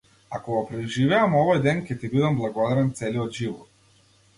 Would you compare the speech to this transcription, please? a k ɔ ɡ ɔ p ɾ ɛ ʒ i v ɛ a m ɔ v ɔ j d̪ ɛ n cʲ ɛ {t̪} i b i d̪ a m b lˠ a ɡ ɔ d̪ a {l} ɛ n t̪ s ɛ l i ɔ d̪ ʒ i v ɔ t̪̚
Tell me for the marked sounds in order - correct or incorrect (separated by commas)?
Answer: correct, incorrect